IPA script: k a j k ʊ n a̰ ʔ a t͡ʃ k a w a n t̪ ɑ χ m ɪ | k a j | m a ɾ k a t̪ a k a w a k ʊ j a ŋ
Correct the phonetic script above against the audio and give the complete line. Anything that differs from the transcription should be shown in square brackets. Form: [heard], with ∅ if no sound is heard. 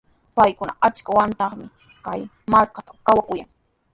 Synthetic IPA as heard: [p] a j k ʊ n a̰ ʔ a t͡ʃ k a w a n t̪ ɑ χ m ɪ | k a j | m a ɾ k a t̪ a k a w a k ʊ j a ŋ